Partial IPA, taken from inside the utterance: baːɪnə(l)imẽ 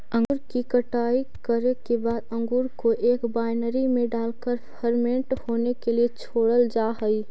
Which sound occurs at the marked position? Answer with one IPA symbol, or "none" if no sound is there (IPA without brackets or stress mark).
ɾ